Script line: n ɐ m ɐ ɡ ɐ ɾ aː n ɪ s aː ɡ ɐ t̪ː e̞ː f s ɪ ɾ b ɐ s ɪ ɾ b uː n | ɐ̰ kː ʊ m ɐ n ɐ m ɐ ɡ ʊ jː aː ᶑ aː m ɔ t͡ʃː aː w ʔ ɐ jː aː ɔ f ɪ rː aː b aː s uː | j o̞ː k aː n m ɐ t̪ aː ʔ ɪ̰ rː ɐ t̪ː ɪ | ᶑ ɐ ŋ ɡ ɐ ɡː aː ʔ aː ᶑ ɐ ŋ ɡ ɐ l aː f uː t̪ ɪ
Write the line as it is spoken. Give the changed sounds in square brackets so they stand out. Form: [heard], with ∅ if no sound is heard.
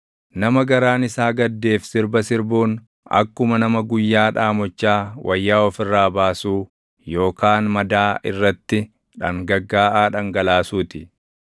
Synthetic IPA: n ɐ m ɐ ɡ ɐ ɾ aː n ɪ s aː ɡ ɐ [d̪ː] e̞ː f s ɪ ɾ b ɐ s ɪ ɾ b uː n | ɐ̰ kː ʊ m ɐ n ɐ m ɐ ɡ ʊ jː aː ᶑ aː m ɔ t͡ʃː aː w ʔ ɐ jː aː ɔ f ɪ rː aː b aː s uː | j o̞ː k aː n m ɐ [d̪] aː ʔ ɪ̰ rː ɐ t̪ː ɪ | ᶑ ɐ ŋ ɡ ɐ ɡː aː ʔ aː ᶑ ɐ ŋ ɡ ɐ l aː [s] uː t̪ ɪ